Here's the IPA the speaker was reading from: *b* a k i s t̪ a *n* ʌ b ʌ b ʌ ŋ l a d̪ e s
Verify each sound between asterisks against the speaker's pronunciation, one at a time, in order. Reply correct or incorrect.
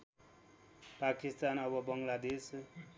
incorrect: p, correct

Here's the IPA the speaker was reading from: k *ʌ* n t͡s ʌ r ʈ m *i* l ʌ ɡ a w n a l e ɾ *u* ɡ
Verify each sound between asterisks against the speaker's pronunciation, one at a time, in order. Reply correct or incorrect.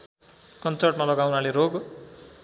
correct, incorrect: a, incorrect: o

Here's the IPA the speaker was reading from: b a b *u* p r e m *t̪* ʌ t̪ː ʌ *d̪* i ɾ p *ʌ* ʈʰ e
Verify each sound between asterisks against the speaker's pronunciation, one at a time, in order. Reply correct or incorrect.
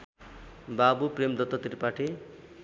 correct, incorrect: d̪, incorrect: t̪, incorrect: a

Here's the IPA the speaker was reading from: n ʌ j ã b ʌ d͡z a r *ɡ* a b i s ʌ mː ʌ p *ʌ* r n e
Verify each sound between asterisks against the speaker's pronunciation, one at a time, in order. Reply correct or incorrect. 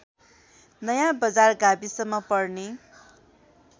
correct, correct

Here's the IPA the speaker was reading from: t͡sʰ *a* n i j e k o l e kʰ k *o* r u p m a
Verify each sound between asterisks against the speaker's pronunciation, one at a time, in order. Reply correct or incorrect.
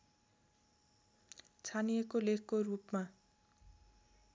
correct, correct

